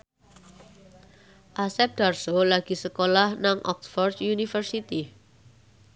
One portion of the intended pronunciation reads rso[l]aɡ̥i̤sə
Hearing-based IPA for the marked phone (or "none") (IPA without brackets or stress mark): l